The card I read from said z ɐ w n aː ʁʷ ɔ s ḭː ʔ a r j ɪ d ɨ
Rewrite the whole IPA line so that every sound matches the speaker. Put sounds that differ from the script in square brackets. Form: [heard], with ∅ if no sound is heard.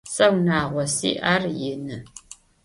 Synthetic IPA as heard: [s] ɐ w n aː ʁʷ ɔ s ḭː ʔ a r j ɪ [n] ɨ